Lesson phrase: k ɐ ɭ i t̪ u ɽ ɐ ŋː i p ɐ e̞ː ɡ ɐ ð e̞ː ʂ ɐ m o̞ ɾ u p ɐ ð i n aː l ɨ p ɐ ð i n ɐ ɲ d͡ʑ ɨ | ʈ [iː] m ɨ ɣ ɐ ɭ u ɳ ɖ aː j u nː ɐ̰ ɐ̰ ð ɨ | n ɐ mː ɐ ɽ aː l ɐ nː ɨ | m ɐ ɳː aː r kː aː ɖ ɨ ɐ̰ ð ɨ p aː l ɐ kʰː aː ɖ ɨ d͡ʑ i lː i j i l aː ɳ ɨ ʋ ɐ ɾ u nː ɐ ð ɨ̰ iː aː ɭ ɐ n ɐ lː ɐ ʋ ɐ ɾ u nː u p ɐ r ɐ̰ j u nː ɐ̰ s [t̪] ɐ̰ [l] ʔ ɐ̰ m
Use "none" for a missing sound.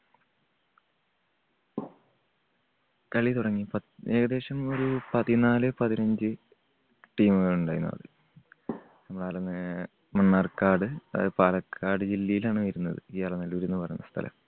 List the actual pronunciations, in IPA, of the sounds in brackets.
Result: iː, t̪ʰ, l

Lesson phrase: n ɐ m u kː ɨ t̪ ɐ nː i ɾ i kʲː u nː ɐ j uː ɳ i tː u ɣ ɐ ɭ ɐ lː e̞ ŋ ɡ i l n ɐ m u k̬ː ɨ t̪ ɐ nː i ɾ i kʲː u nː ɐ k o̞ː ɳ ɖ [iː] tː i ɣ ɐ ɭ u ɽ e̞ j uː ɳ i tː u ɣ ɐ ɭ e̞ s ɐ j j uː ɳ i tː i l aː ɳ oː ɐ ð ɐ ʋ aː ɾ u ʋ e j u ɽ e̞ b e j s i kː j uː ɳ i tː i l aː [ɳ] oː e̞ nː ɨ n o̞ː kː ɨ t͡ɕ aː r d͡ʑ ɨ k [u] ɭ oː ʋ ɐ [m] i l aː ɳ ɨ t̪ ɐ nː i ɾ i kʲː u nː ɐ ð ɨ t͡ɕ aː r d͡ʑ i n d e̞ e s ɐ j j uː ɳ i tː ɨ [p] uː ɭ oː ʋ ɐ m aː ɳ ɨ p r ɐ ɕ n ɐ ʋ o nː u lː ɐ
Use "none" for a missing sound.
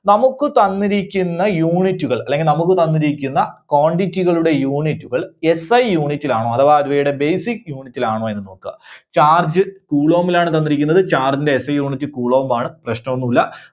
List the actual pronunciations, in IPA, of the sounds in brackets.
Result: i, ɳ, uː, m, k

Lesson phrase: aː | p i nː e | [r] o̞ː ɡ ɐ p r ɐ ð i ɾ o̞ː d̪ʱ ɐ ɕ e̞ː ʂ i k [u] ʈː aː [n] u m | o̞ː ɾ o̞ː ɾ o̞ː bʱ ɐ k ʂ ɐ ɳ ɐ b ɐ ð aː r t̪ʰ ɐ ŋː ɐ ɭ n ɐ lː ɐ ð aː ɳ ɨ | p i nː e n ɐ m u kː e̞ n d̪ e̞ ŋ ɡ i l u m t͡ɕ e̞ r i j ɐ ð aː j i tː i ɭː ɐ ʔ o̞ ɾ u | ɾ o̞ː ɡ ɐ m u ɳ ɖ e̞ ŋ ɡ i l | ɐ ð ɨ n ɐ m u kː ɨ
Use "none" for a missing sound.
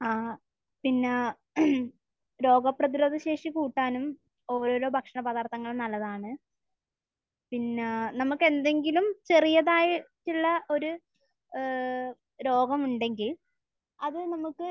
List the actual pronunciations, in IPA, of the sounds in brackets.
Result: ɾ, uː, n

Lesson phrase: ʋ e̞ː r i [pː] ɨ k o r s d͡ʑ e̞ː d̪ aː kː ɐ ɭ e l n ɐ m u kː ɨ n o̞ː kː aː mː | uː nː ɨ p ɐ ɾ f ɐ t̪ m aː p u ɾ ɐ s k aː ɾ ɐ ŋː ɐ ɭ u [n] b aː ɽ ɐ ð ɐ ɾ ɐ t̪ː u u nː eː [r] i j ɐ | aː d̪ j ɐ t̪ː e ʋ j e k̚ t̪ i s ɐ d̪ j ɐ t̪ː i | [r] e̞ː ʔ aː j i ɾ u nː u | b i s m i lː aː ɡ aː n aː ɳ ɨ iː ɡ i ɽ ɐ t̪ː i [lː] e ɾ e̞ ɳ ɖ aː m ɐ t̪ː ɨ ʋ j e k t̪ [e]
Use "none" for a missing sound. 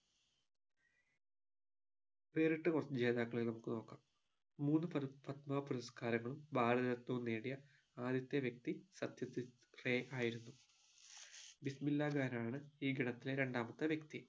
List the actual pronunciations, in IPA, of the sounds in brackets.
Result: ʈː, m, ɽ, r, l, i

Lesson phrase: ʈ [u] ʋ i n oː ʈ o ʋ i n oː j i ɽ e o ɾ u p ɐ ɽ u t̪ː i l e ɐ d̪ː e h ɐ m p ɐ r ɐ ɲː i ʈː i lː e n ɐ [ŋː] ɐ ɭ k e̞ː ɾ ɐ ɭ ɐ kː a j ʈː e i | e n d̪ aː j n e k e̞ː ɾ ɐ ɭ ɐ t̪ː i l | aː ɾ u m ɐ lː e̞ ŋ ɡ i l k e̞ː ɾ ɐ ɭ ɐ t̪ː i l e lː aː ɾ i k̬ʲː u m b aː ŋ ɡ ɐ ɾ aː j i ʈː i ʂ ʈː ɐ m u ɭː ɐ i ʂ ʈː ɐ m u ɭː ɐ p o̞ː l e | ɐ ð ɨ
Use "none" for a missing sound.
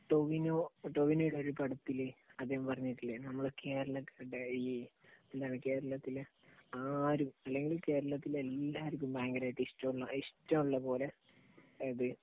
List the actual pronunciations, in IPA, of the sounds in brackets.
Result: o, mː

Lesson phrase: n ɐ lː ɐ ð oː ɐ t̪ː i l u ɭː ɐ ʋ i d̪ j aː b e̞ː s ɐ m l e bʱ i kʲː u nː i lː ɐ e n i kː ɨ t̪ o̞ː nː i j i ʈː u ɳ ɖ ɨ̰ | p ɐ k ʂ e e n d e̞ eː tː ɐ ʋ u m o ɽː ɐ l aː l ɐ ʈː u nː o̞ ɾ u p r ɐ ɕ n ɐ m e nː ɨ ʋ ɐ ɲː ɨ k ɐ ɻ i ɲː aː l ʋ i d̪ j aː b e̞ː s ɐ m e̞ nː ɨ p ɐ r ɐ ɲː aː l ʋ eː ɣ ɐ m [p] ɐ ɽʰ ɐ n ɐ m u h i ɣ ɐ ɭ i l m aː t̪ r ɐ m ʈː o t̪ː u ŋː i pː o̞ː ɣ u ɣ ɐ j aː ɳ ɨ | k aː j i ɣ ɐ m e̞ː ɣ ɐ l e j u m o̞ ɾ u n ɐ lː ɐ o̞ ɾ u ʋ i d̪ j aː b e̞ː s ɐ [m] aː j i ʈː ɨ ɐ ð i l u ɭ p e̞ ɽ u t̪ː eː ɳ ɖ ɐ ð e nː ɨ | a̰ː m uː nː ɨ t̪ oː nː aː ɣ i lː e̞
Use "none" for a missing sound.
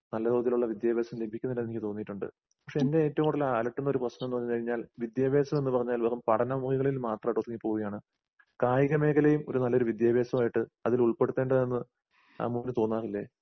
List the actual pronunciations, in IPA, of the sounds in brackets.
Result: p, m

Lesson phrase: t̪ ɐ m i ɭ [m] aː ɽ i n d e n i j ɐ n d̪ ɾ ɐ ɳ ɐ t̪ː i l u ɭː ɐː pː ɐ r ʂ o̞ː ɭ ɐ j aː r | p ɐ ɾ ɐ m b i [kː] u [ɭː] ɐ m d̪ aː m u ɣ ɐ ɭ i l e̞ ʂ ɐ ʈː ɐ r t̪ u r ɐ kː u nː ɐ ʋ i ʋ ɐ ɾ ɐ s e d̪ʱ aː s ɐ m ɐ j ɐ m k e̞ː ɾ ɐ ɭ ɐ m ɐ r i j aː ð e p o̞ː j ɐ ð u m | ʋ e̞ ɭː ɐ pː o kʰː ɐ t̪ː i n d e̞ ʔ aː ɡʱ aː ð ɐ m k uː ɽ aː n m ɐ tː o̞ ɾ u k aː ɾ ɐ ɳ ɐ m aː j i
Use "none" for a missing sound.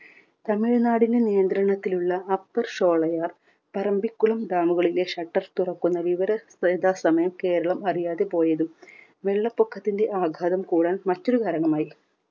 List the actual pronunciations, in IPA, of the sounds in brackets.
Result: n, kː, ɭ

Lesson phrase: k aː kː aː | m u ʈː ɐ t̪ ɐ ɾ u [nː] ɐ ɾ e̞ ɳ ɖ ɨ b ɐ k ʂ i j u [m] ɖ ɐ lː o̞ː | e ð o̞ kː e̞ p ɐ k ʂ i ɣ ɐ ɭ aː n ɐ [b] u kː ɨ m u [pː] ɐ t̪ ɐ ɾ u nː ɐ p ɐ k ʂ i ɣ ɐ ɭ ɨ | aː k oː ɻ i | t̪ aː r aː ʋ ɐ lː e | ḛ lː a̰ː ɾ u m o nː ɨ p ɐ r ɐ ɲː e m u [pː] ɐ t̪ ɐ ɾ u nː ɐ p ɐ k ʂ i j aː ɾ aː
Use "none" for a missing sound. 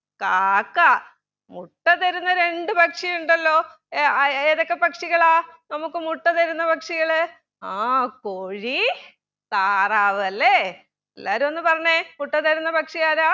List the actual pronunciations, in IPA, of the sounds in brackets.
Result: nː, ɳ, m, ʈː, ʈː

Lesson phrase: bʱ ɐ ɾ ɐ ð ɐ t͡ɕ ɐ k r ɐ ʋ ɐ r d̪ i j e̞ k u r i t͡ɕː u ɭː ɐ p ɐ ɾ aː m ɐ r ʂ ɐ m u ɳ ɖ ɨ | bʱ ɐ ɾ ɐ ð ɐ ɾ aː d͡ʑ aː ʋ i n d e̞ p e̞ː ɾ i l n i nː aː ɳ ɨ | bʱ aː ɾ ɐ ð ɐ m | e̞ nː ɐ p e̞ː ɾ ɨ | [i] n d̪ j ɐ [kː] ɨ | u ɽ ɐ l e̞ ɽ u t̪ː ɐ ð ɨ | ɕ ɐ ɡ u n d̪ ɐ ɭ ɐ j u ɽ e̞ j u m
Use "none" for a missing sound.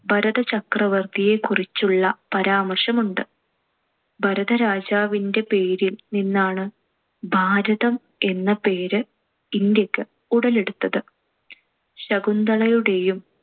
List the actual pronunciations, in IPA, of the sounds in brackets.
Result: i, kː

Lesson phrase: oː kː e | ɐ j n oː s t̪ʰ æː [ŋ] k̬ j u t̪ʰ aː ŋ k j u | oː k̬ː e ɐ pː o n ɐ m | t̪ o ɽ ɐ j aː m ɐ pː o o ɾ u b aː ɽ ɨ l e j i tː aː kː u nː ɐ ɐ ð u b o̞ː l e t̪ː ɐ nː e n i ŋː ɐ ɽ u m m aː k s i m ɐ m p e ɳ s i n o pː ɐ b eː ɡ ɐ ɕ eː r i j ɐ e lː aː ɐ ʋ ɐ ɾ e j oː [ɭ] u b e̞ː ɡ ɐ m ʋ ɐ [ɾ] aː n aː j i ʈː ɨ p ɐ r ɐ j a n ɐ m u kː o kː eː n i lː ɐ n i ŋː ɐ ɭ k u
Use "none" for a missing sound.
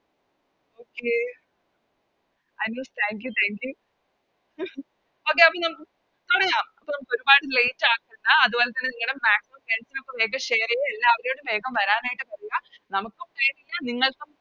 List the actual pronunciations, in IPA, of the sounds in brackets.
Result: ŋ, ɽ, ɾ

